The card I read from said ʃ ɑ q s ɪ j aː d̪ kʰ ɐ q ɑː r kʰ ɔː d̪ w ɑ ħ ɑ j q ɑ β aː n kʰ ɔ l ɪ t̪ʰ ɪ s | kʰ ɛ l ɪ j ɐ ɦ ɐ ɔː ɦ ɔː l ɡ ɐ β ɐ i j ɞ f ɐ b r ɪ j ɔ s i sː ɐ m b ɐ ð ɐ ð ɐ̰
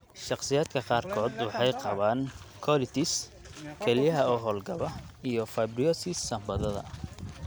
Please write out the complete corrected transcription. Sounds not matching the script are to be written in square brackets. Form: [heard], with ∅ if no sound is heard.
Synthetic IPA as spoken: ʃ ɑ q s ɪ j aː d̪ kʰ ɐ q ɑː r kʰ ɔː d̪ w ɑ ħ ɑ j q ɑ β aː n kʰ ɔ l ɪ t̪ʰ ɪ s | kʰ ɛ l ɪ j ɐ ɦ ɐ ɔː ɦ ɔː l ɡ ɐ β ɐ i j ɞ f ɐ b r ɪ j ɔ s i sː ɐ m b ɐ ð ɐ ð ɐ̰